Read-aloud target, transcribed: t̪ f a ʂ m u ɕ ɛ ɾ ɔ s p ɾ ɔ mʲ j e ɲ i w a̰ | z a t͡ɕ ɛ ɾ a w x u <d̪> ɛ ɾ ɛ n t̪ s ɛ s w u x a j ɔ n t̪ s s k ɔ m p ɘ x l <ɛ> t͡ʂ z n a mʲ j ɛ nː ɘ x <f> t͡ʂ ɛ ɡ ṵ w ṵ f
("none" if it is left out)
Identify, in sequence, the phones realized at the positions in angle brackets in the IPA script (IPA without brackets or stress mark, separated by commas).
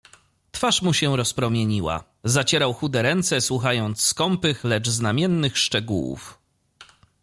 d̪, ɛ, ʂ